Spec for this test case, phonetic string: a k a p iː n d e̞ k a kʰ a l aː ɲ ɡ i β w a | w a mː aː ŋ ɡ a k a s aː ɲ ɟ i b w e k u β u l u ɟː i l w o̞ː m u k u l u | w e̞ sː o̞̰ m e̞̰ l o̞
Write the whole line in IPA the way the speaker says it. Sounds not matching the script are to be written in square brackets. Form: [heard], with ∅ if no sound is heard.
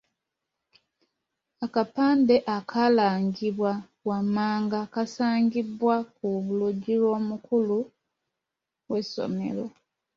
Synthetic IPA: a k a p [aː] n d e̞ [ʔ] a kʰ a l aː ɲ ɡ i β w a | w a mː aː ŋ ɡ a k a s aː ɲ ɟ i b w [a] k u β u l u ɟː i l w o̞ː m u k u l u | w e̞ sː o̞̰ m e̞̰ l o̞